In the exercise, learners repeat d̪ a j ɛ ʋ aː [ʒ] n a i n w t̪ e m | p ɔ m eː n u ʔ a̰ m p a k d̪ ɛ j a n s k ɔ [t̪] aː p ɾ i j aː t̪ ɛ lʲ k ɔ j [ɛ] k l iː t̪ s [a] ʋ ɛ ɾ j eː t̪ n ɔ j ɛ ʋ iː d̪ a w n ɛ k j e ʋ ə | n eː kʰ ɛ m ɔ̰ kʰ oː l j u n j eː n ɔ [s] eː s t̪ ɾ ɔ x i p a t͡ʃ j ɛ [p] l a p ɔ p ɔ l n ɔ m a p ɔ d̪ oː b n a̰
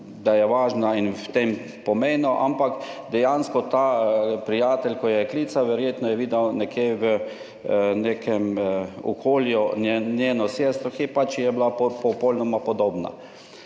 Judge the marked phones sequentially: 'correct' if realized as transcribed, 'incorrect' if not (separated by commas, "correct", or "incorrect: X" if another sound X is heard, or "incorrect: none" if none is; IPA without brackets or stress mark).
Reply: correct, correct, correct, correct, correct, incorrect: b